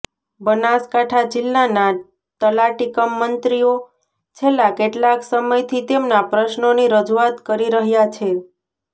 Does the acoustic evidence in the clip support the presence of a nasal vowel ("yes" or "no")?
no